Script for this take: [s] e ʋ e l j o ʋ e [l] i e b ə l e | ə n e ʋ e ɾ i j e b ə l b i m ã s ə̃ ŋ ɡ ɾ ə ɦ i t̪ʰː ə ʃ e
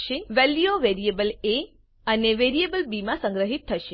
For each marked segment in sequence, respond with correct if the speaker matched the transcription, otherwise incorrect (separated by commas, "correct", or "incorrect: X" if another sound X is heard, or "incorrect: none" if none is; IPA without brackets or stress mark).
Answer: incorrect: ʃ, incorrect: ɾ